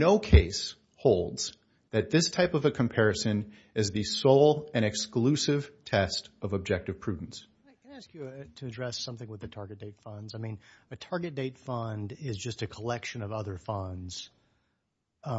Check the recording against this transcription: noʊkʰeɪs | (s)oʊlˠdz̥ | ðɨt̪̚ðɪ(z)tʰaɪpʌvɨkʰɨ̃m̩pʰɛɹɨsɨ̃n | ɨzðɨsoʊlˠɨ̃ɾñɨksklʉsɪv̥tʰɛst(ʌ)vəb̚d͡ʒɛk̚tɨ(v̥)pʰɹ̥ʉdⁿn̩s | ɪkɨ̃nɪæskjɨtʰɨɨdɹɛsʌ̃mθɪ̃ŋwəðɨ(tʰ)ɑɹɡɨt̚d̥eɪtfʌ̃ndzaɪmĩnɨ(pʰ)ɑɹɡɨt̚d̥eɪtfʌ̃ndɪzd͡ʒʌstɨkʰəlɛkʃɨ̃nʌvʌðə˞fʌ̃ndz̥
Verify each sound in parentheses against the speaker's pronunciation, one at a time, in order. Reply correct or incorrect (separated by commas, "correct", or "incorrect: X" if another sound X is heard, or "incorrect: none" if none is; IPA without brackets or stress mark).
incorrect: h, incorrect: s, correct, correct, correct, incorrect: tʰ